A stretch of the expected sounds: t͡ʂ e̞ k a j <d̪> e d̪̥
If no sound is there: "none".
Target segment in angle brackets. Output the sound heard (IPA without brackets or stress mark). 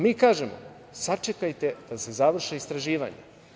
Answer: t̪